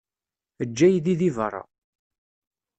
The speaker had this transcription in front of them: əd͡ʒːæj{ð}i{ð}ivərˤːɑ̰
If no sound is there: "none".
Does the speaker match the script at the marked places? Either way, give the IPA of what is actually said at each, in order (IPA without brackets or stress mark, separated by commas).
ð, ð